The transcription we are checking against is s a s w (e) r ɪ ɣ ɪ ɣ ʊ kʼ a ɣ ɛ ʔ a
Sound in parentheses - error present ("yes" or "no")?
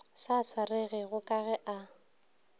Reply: yes